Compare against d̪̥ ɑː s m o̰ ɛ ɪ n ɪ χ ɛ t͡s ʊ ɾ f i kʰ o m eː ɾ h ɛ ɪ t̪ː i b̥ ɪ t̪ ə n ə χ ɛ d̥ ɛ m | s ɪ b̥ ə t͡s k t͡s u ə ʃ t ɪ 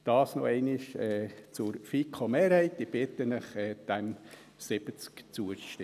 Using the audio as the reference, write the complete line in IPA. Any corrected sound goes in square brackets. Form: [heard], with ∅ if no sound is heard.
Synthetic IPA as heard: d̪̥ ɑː s [n] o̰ ɛ ɪ n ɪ [ʃ] ɛ t͡s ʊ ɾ f i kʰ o m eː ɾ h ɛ ɪ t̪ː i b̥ ɪ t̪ ə n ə χ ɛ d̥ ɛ m | s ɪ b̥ ə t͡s k t͡s u ə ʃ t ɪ